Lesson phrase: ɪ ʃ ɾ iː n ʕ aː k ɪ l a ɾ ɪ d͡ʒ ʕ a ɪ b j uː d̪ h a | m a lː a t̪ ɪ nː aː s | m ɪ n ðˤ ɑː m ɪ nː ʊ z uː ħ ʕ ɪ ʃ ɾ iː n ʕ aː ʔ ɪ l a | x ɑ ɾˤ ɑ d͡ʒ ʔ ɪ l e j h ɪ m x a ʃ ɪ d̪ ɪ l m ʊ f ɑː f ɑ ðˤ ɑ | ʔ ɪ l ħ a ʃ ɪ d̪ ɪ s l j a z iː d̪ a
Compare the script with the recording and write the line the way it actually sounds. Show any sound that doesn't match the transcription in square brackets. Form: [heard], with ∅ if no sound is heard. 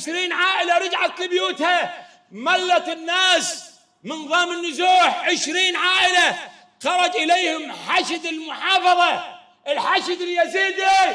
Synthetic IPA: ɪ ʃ ɾ iː n ʕ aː [ʔ] ɪ l a ɾ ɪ d͡ʒ ʕ a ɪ b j uː [t̪] h a | m a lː a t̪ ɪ nː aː s | m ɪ n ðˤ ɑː m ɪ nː ʊ z uː ħ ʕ ɪ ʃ ɾ iː n ʕ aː ʔ ɪ l a | x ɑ ɾˤ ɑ d͡ʒ ʔ ɪ l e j h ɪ m [ħ] a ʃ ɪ d̪ ɪ l m ʊ [ħ] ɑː f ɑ ðˤ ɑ | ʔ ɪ l ħ a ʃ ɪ d̪ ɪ [∅] l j a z iː d̪ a